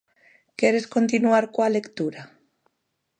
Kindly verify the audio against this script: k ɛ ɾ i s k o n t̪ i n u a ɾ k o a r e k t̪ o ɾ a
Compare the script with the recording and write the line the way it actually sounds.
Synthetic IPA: k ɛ ɾ e s k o n t̪ i n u a ɾ k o a l e k t̪ u ɾ a